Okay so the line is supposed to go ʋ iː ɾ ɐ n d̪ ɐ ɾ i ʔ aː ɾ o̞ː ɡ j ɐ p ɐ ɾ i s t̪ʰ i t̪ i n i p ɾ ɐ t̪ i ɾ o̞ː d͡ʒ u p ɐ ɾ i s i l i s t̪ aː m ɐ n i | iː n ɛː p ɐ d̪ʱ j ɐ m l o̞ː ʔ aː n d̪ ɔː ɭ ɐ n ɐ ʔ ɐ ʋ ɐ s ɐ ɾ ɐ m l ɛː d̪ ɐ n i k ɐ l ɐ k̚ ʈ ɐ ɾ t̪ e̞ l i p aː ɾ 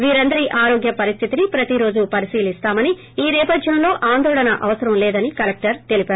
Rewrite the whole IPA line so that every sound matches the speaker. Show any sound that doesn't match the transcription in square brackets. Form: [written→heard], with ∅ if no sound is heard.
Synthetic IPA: ʋ iː ɾ ɐ n d̪ ɐ ɾ i ʔ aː ɾ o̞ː ɡ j ɐ p ɐ ɾ i s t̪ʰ i t̪ i n i p ɾ ɐ t̪ i ɾ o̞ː d͡ʒ u p ɐ ɾ i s [i→iː] l i s t̪ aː m ɐ n i | iː n ɛː p ɐ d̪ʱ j ɐ m l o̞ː ʔ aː n d̪ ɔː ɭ ɐ n ɐ ʔ ɐ ʋ ɐ s ɐ ɾ ɐ m l ɛː d̪ ɐ n i k ɐ l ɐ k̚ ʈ ɐ ɾ t̪ e̞ l i p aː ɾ

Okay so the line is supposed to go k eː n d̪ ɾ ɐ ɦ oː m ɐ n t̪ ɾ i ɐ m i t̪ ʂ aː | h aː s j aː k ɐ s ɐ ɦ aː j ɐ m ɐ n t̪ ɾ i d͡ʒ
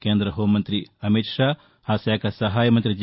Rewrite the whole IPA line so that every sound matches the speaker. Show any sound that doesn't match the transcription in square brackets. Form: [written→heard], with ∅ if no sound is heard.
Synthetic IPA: k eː n d̪ ɾ ɐ ɦ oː m ɐ n t̪ ɾ i ɐ m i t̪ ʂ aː | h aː s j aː k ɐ s ɐ ɦ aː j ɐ m ɐ n t̪ ɾ i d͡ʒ

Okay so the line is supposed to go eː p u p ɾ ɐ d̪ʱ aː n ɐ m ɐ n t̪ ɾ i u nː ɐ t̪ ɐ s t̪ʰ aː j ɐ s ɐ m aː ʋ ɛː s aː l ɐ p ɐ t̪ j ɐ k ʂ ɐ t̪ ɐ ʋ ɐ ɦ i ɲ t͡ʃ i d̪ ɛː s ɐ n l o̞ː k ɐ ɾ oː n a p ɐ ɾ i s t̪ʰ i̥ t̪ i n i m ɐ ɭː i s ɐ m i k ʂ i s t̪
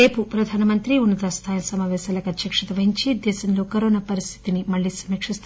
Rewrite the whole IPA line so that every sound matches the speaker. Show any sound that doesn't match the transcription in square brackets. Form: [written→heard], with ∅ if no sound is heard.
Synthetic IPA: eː p u p ɾ ɐ d̪ʱ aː n ɐ m ɐ n t̪ ɾ i u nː ɐ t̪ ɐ s t̪ʰ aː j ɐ s ɐ m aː ʋ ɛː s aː l ɐ [p→k] ɐ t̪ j ɐ k ʂ ɐ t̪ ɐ ʋ ɐ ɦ i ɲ t͡ʃ i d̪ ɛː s ɐ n l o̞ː k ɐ ɾ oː n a p ɐ ɾ i s t̪ʰ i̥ t̪ i n i m ɐ ɭː i s ɐ m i k ʂ i s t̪

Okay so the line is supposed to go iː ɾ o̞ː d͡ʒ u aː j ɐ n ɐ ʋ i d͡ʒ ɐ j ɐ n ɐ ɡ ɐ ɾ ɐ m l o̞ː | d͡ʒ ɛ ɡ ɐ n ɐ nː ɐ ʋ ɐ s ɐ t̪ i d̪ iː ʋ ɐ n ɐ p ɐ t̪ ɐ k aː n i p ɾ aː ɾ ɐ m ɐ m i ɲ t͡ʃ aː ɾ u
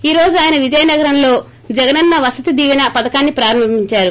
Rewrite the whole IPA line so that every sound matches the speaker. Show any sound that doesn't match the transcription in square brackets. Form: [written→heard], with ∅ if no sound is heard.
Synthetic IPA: iː ɾ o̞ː d͡ʒ u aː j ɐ n ɐ ʋ i d͡ʒ ɐ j ɐ n ɐ ɡ ɐ ɾ ɐ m l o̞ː | d͡ʒ ɛ ɡ ɐ n ɐ nː ɐ ʋ ɐ s ɐ t̪ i d̪ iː ʋ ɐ n ɐ p ɐ [t̪→d̪] ɐ k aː [n→nː] i p ɾ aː ɾ ɐ m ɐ m i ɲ t͡ʃ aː ɾ u

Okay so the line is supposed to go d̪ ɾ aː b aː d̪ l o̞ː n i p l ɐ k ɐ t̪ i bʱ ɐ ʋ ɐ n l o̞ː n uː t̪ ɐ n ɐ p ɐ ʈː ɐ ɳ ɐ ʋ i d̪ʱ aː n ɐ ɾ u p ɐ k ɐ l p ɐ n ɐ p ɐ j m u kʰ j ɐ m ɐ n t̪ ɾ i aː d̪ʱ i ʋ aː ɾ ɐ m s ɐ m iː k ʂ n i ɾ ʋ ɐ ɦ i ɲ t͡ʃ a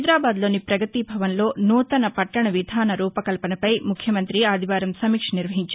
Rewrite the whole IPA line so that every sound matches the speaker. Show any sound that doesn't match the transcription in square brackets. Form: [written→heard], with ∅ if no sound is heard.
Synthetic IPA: d̪ ɾ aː b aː d̪ l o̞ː n i p [l→ɾ] ɐ [k→ɡ] ɐ t̪ i bʱ ɐ ʋ ɐ n l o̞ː n uː t̪ ɐ n ɐ p ɐ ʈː ɐ ɳ ɐ ʋ i d̪ʱ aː n ɐ ɾ [u→uː] p ɐ k ɐ l p ɐ n ɐ p ɐ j m u kʰ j ɐ m ɐ n t̪ ɾ i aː d̪ʱ i ʋ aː ɾ ɐ m s ɐ m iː k ʂ n i ɾ ʋ ɐ ɦ i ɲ t͡ʃ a

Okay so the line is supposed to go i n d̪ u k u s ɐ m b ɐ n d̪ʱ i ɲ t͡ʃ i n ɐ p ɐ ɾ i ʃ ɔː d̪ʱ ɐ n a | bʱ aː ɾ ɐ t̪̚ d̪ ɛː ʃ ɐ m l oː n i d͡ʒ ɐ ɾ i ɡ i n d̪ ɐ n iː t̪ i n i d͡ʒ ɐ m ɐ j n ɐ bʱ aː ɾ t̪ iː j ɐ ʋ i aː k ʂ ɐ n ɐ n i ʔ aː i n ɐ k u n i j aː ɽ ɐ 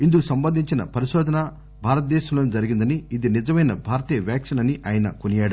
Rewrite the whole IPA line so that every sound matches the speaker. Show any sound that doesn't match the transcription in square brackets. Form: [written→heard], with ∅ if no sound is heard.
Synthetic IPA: i n d̪ u k u s ɐ m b ɐ n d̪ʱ i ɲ t͡ʃ i n ɐ p ɐ ɾ i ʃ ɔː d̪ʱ ɐ n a | bʱ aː ɾ ɐ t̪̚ d̪ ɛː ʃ ɐ m l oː n i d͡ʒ ɐ ɾ i ɡ i n d̪ ɐ n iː [t̪→d̪] i n i d͡ʒ ɐ m ɐ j n ɐ bʱ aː ɾ t̪ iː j ɐ ʋ [i→j] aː k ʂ ɐ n ɐ n i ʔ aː [i→j] n ɐ k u n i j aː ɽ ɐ

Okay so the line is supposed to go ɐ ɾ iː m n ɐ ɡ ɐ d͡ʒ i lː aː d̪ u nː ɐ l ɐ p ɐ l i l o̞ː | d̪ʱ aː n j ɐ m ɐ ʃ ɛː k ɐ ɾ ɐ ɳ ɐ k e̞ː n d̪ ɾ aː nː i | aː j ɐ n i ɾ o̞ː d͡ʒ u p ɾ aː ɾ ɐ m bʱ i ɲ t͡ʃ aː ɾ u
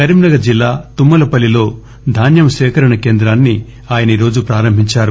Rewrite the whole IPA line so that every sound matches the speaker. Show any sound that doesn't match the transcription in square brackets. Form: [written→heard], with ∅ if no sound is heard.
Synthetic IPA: ɐ ɾ [iː→i] m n ɐ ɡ ɐ d͡ʒ i lː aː [d̪→t̪] u [nː→mː] ɐ l ɐ p ɐ l i l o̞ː | d̪ʱ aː n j ɐ m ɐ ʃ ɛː k ɐ ɾ ɐ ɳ ɐ k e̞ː n d̪ ɾ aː nː i | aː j ɐ n i ɾ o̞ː d͡ʒ u p ɾ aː ɾ ɐ m bʱ i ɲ t͡ʃ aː ɾ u

